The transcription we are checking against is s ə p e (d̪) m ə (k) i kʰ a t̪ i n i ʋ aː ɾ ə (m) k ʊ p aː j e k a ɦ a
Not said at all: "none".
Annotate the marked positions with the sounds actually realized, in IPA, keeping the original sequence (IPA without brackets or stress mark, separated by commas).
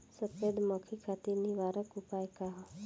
d̪, kʰ, none